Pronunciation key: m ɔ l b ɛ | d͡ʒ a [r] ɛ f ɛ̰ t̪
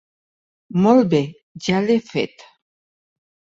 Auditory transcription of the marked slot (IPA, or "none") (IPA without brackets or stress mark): l